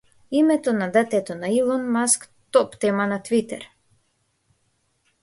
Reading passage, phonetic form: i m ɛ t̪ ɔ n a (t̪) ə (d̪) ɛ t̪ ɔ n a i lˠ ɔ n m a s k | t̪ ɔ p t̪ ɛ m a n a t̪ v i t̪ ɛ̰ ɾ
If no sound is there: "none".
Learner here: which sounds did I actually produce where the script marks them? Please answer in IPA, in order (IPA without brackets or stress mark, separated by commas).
d̪, t̪